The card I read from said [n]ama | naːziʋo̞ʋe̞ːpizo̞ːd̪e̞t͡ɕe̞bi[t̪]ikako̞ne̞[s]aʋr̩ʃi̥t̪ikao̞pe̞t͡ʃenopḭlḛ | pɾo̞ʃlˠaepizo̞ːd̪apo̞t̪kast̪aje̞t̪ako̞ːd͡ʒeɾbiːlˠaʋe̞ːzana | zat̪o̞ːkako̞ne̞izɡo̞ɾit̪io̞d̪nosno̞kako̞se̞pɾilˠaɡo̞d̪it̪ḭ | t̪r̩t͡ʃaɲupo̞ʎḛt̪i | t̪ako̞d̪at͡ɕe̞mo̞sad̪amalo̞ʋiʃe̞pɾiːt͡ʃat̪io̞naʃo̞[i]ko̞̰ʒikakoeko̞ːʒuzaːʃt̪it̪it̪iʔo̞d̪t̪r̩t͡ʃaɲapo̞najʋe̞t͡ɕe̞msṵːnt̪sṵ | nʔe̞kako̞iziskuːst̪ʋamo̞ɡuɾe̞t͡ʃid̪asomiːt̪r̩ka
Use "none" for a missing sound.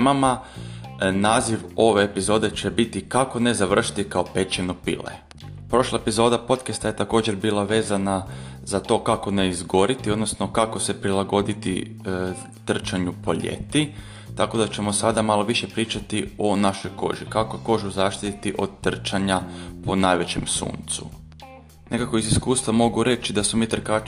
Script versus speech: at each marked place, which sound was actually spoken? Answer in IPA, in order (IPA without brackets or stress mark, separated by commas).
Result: m, t̪, z, j